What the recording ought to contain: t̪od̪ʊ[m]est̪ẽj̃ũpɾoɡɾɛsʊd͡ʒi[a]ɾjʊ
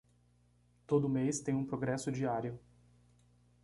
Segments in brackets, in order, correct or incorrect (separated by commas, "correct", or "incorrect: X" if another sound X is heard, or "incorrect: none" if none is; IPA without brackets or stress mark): correct, correct